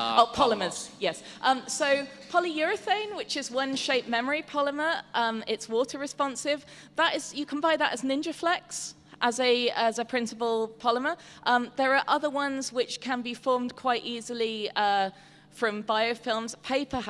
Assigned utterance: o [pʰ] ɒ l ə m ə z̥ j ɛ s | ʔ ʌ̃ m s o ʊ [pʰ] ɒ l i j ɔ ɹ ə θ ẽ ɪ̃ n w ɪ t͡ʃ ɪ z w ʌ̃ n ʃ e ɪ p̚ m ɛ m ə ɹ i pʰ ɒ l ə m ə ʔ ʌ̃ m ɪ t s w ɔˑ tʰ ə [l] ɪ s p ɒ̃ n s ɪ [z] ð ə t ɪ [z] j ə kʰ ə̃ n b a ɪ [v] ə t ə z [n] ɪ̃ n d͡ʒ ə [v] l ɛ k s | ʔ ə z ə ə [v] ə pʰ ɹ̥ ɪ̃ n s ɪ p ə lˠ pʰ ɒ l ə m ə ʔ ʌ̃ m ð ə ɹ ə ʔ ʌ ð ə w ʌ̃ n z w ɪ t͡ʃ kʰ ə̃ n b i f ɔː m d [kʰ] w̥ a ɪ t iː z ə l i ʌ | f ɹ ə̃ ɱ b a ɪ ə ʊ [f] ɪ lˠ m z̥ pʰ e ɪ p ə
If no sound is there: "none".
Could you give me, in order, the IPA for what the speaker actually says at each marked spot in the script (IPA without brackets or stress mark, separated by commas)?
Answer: pʰ, pʰ, ɹ, v, z, ð, n, f, z, kʰ, f